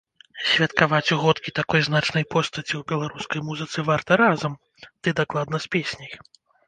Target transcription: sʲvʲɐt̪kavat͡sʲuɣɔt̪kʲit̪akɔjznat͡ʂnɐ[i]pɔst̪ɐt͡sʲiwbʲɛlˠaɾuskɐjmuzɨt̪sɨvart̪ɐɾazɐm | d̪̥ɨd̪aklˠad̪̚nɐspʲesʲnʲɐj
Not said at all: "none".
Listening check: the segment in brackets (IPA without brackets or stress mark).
j